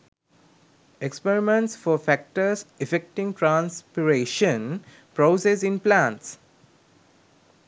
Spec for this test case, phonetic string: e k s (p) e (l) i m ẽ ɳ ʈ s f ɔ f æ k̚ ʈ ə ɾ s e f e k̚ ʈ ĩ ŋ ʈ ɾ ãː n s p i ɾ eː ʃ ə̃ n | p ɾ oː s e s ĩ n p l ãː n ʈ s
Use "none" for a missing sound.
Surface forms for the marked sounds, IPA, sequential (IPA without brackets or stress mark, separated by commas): p, ɾ